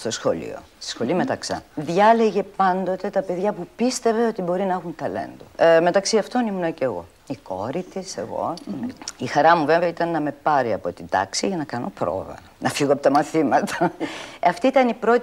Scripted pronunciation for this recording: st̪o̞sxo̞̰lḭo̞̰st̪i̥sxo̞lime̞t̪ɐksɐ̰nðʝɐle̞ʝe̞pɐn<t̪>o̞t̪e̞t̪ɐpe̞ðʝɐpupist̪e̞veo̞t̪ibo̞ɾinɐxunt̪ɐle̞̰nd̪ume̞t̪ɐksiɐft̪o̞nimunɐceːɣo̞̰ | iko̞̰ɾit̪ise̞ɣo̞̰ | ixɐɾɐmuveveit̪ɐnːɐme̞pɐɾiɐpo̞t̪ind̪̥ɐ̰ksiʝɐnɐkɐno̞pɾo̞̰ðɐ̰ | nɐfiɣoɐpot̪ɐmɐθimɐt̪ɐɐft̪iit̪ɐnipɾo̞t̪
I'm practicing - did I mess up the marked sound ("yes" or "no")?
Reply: yes